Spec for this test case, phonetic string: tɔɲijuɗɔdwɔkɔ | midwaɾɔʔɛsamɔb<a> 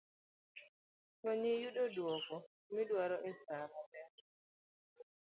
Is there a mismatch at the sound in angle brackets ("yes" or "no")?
yes